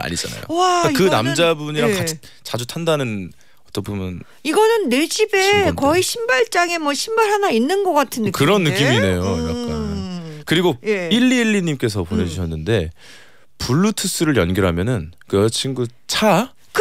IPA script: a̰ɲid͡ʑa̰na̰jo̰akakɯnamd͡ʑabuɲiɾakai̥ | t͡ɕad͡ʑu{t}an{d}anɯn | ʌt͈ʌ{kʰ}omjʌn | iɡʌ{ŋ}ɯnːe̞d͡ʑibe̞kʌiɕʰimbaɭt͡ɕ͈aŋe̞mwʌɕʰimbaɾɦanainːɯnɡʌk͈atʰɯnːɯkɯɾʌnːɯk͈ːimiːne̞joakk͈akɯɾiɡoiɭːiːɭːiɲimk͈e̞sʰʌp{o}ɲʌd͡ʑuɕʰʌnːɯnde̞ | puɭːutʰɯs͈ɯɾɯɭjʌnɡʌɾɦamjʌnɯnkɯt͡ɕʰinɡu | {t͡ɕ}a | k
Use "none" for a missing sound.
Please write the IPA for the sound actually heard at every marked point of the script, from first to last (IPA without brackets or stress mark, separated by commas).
tʰ, d, pʰ, n, o, t͡ɕʰ